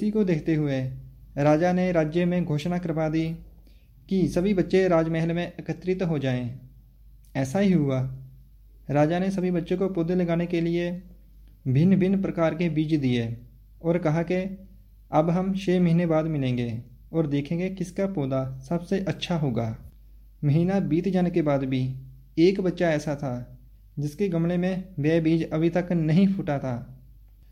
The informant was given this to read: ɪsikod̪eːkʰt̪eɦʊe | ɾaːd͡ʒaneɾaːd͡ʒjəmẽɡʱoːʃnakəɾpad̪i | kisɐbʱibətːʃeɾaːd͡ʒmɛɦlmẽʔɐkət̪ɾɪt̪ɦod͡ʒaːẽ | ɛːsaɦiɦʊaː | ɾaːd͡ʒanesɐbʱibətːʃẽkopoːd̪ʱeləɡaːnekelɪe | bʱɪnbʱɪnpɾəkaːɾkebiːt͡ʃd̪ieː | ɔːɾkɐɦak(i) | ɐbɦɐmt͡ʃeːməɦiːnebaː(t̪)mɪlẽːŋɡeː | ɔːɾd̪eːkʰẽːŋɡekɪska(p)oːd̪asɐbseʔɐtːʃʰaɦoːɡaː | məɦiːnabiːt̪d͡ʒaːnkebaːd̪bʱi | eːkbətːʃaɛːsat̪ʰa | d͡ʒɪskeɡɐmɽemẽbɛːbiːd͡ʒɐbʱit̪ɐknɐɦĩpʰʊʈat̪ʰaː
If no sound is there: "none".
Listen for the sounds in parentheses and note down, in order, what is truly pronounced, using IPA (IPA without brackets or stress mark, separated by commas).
e, d̪, p